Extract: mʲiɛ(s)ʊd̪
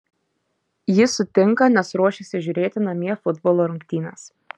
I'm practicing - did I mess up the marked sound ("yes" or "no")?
yes